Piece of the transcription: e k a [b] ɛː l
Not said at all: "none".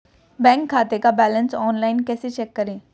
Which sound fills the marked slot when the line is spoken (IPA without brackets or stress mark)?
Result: b